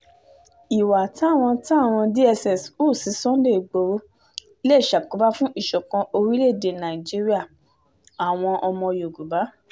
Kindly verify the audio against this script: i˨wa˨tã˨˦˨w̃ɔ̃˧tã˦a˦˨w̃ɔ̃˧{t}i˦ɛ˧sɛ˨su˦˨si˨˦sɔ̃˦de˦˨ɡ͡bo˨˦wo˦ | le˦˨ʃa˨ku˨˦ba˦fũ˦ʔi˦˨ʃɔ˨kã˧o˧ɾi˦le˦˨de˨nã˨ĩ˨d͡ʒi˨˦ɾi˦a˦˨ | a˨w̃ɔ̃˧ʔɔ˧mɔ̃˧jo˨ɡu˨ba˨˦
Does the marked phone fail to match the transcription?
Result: yes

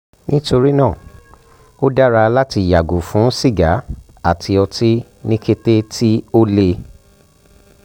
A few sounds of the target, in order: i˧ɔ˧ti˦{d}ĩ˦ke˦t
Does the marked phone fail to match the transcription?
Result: yes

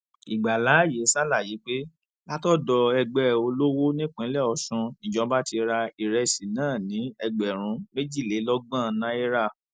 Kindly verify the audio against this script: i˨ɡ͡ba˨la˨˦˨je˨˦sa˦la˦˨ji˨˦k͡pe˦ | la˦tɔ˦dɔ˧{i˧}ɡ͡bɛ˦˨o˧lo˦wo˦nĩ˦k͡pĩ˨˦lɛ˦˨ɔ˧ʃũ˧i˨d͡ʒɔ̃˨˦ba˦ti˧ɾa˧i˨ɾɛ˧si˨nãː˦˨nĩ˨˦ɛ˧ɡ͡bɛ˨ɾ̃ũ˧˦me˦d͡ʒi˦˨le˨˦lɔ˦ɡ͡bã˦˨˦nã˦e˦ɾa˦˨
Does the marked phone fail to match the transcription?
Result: yes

